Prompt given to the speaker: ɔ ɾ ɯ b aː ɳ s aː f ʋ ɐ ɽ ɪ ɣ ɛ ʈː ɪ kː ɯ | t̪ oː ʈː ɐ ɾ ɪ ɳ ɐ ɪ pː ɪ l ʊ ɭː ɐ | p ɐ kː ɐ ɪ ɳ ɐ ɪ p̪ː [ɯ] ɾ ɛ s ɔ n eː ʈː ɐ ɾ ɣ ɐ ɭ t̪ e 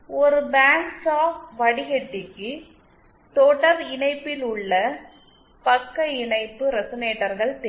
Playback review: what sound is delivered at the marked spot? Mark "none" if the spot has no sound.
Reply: ɯ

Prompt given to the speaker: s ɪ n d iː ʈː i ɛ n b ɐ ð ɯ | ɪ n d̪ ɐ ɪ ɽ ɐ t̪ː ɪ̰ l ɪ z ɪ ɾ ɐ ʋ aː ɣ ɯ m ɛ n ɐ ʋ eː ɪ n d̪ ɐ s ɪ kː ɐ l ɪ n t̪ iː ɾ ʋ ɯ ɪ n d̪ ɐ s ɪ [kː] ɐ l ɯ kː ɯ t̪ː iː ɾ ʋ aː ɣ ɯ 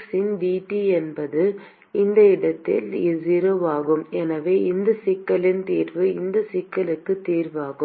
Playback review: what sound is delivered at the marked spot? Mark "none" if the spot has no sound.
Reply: kː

